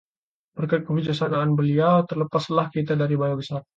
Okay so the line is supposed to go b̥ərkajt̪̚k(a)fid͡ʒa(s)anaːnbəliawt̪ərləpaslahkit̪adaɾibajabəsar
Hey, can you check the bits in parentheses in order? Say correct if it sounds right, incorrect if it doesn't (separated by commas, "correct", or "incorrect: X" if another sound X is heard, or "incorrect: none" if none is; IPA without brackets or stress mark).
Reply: incorrect: ə, correct